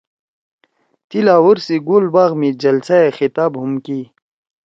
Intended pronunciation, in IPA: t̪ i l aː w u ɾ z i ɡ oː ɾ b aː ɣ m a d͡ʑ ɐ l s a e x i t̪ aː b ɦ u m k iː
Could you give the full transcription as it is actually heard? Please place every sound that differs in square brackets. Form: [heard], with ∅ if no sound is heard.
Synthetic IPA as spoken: t̪ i l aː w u ɾ [s] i ɡ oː [l] b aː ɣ m [i] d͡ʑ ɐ l s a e x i t̪ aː b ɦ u m k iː